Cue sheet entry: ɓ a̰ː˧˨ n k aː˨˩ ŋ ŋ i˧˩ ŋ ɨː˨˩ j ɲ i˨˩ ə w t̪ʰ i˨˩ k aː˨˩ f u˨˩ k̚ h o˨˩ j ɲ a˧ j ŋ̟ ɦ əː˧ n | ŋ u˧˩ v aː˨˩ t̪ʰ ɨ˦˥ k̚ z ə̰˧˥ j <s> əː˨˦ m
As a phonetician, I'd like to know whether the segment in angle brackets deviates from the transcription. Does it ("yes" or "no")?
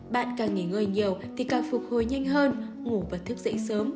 no